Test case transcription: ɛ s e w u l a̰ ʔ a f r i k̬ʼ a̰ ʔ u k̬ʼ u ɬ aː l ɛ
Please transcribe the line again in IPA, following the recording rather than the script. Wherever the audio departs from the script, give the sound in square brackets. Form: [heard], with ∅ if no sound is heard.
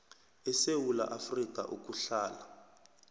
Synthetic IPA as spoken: ɛ s e w u l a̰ ʔ a f r i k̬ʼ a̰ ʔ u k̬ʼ u ɬ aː l [a]